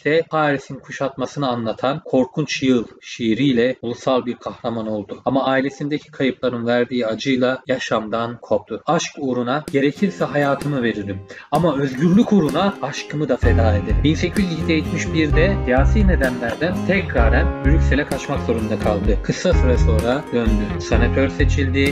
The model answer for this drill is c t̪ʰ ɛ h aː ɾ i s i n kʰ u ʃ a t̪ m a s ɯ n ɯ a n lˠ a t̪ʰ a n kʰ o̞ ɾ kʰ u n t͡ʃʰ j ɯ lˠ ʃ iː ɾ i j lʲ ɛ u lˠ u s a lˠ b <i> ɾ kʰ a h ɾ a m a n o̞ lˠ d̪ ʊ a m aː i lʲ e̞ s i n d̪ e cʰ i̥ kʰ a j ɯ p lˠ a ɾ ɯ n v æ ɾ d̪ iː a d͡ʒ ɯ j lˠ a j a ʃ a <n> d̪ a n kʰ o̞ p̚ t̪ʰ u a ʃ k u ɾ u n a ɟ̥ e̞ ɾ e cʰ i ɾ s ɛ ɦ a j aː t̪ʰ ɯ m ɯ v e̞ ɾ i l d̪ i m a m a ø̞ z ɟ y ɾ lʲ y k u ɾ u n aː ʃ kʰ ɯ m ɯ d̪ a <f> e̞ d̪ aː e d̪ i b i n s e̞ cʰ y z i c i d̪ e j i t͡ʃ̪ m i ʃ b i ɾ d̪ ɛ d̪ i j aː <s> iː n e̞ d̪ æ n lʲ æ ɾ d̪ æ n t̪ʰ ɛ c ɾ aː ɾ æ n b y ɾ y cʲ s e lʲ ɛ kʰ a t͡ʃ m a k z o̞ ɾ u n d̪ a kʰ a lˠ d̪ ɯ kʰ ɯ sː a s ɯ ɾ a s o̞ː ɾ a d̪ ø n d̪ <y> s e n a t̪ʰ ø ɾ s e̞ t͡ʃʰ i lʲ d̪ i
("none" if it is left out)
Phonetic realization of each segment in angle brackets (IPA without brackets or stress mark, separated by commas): i, m, f, s, y